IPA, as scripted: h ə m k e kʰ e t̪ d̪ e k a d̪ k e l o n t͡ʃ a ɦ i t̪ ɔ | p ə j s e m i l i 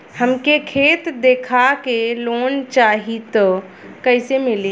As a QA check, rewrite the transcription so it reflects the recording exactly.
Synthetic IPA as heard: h ə m k e kʰ e t̪ d̪ e kʰ a k e l o n t͡ʃ a ɦ i t̪ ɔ | k ə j s e m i l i